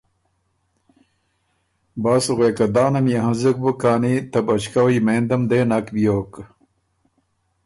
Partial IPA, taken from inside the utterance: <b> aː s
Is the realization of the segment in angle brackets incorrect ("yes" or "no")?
no